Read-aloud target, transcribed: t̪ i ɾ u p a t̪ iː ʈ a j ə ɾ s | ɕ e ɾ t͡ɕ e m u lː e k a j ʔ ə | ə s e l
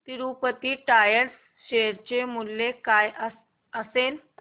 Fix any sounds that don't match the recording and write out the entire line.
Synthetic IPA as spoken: t̪ i ɾ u p ə t̪ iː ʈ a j ə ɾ s | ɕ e ɾ t͡ɕ e m u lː e k a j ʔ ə | ə s e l